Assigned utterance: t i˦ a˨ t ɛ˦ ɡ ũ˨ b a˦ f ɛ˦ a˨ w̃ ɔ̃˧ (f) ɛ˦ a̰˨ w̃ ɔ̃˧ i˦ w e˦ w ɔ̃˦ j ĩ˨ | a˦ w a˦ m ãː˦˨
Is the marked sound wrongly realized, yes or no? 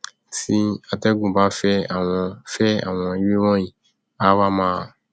no